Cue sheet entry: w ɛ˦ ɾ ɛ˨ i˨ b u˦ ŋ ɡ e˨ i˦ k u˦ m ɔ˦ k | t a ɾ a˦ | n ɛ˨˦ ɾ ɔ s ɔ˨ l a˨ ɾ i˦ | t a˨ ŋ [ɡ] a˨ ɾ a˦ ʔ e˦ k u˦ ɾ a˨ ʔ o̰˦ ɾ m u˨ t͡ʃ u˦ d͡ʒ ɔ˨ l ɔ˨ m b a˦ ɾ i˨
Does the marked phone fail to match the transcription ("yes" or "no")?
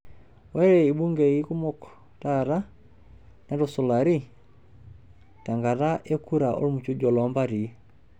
no